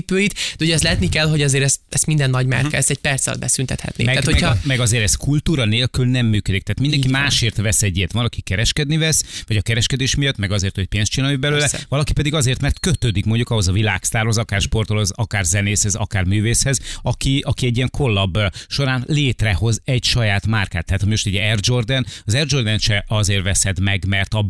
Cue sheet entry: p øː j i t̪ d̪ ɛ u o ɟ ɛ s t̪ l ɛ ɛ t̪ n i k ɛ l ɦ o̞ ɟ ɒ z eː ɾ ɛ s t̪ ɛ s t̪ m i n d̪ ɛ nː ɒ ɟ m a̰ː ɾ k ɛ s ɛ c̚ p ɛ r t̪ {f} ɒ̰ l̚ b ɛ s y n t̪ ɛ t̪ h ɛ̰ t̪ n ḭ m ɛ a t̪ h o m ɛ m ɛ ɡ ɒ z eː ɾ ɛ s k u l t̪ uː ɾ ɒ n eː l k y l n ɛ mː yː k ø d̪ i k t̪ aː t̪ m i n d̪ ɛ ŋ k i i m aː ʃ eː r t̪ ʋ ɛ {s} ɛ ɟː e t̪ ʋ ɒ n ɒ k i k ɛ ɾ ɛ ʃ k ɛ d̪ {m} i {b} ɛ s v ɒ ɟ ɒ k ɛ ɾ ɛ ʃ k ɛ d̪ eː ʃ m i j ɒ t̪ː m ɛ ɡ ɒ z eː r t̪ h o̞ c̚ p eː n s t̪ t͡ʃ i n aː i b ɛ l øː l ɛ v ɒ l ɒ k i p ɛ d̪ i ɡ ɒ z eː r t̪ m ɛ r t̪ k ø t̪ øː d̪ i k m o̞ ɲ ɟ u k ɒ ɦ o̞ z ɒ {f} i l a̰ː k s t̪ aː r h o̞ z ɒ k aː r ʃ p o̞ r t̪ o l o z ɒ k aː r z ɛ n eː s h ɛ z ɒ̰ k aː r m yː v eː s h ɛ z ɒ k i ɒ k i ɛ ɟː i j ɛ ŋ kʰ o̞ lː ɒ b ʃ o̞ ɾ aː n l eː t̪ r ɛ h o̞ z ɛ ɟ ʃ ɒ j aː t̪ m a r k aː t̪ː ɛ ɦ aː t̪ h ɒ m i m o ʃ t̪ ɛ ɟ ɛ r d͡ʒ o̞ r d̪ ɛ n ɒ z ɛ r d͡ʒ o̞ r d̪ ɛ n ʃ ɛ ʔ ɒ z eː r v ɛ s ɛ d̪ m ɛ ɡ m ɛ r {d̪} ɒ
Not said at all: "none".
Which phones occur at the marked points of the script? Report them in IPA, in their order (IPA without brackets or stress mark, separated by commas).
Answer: s, s, n, v, v, t̪